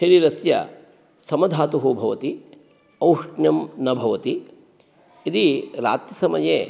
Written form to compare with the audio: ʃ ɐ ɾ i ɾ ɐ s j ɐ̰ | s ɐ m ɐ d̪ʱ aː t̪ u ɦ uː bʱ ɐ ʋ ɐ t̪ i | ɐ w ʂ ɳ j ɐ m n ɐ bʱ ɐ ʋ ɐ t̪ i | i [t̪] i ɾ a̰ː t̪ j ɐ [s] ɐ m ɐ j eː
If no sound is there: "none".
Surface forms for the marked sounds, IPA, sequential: d̪, s

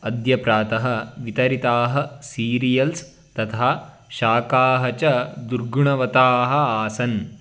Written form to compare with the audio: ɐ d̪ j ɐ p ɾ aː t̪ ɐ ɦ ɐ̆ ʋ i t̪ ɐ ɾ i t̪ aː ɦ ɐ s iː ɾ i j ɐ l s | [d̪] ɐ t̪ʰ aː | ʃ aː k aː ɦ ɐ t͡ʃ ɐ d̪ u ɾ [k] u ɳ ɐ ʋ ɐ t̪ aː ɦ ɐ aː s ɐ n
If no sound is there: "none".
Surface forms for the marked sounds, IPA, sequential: t̪, ɡ

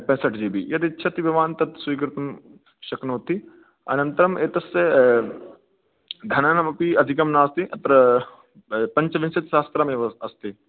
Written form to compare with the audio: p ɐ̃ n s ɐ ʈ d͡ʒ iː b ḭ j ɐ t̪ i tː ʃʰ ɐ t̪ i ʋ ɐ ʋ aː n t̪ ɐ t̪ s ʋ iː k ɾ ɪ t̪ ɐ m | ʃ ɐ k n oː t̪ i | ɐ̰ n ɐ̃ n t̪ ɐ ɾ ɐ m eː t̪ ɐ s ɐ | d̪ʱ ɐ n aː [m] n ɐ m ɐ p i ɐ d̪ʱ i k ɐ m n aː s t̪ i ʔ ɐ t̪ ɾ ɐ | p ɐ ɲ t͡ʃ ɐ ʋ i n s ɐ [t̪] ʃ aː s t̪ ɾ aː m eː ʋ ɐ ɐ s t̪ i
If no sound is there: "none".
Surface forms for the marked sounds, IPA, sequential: none, t̪

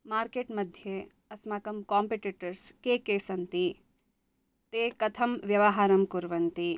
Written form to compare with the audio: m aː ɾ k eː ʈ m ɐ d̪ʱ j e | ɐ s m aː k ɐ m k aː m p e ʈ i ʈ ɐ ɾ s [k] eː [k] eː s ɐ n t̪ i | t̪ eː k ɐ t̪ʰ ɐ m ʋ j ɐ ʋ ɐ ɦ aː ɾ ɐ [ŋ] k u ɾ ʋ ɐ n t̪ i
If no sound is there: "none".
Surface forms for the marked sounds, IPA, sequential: k, k, m

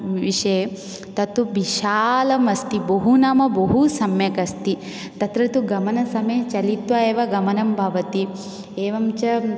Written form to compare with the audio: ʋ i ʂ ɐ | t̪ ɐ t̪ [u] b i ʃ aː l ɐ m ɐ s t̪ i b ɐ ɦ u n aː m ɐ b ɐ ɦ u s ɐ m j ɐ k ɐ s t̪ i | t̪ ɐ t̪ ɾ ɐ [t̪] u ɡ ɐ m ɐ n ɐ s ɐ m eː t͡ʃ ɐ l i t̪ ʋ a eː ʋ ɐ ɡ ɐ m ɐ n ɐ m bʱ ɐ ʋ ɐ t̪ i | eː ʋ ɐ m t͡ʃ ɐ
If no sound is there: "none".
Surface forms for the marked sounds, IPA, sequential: u, t̪

